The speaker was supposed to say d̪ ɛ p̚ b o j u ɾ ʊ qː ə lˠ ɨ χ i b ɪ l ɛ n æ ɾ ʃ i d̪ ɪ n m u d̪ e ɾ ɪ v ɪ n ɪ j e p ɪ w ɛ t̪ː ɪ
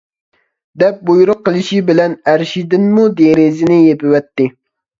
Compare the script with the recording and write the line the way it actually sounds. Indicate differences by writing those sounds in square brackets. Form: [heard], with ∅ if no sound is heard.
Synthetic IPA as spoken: d̪ ɛ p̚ b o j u ɾ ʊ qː ə lˠ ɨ [ʃ] i b ɪ l ɛ n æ ɾ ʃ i d̪ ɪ n m u d̪ e ɾ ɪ [z] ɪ n ɪ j e p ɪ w ɛ t̪ː ɪ